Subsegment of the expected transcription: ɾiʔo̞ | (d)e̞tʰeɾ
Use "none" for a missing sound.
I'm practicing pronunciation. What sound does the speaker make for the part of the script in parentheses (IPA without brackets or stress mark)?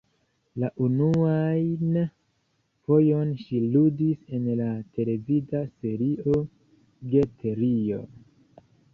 ɡ